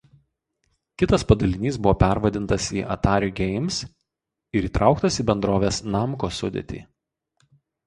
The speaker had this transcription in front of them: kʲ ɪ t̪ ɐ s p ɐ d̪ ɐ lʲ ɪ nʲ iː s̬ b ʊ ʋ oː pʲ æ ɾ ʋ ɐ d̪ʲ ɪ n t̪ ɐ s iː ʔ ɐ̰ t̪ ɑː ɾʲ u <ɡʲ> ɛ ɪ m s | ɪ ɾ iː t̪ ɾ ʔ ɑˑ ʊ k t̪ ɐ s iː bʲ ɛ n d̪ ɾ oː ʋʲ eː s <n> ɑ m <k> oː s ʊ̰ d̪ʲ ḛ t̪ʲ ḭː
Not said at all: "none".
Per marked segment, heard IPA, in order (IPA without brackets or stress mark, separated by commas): ɡʲ, n, k